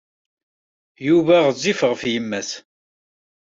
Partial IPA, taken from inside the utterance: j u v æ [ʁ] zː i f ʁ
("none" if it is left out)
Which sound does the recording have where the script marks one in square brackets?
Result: ʁ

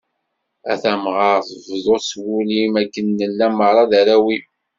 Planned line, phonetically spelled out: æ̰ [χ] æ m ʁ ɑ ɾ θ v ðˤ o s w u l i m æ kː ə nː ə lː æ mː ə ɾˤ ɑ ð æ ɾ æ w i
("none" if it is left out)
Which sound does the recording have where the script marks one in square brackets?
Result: θ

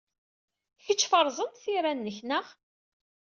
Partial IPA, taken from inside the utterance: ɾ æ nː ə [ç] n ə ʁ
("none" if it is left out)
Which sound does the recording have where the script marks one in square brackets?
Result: ç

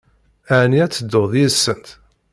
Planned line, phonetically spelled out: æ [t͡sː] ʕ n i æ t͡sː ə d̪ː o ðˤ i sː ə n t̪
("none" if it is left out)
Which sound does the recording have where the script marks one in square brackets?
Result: none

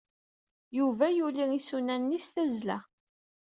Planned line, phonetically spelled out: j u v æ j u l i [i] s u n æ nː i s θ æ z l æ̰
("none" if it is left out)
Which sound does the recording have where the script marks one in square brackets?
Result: i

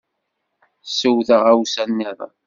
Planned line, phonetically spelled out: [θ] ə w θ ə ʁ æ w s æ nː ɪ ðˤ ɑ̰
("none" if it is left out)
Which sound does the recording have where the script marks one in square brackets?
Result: s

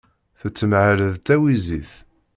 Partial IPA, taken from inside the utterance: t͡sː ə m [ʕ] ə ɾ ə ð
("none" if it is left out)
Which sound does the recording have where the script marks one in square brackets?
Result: ʕ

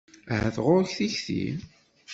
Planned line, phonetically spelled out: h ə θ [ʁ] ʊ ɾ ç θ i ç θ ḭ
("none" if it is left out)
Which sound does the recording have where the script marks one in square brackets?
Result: ʁ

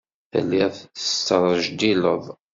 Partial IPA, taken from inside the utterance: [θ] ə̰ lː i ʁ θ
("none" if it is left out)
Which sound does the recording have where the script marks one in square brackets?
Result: θ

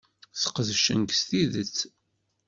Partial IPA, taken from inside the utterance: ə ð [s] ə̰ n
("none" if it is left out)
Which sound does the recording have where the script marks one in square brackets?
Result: ʃ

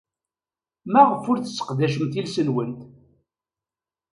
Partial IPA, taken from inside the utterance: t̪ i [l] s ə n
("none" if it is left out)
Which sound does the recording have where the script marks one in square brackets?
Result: l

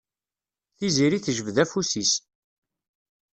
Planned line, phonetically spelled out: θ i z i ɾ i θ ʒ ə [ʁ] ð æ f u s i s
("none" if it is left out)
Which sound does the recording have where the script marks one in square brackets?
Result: v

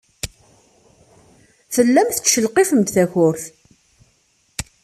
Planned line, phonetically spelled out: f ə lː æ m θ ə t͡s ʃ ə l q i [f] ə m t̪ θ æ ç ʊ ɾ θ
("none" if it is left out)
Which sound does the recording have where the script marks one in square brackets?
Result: f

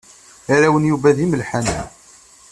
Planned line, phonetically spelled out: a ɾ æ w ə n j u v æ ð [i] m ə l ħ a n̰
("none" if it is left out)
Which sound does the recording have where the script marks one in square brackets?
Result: i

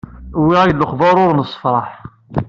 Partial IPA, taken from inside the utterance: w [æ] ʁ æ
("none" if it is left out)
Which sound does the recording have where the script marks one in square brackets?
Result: i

